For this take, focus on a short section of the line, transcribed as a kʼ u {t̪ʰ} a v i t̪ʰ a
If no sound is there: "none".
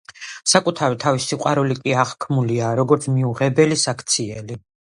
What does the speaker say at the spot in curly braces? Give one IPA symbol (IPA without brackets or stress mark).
t̪ʰ